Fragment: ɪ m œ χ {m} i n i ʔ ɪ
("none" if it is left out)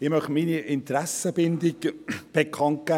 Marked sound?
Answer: m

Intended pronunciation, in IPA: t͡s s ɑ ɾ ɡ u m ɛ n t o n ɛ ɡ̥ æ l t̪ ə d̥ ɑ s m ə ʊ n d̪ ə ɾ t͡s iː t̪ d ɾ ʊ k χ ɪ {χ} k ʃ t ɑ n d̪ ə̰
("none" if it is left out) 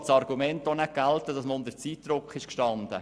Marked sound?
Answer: ʃ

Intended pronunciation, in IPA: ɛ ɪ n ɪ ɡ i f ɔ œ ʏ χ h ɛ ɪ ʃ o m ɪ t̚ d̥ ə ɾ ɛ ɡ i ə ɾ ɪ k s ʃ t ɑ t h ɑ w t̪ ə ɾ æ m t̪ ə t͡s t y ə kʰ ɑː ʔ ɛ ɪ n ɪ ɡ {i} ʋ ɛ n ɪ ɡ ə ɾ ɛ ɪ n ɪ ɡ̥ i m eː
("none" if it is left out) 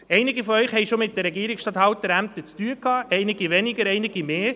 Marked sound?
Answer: i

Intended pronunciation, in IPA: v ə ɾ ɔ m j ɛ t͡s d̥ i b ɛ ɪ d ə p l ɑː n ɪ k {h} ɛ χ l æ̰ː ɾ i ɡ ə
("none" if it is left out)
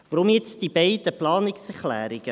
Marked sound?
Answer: s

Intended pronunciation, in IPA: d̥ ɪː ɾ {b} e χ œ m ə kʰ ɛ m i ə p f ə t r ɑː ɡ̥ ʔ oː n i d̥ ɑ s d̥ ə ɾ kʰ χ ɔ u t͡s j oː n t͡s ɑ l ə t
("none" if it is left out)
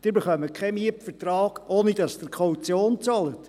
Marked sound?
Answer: b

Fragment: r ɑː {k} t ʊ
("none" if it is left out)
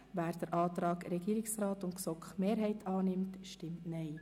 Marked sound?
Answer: none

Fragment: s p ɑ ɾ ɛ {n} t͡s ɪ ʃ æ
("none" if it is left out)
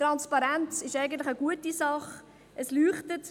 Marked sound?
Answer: n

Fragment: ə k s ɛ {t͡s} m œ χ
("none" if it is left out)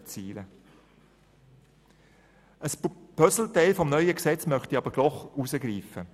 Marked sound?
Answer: t͡s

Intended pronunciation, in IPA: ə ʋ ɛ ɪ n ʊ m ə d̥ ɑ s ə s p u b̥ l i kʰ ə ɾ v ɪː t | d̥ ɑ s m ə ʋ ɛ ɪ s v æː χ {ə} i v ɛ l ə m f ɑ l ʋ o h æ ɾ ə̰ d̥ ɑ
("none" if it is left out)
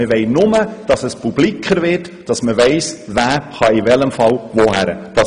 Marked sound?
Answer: ɑ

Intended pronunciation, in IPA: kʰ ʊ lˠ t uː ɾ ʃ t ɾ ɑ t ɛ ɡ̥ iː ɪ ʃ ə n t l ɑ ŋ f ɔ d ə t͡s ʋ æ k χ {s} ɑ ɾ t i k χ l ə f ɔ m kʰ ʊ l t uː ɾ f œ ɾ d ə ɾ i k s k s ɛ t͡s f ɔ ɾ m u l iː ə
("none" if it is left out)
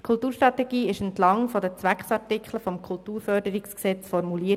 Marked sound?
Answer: s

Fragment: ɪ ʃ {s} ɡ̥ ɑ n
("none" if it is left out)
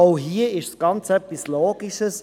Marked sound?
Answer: s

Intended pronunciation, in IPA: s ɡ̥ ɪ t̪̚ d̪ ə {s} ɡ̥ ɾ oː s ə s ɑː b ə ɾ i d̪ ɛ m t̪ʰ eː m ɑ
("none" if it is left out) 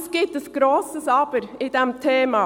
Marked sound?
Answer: s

